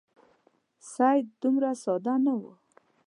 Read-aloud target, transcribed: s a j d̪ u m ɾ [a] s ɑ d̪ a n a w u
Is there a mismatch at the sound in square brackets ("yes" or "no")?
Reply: no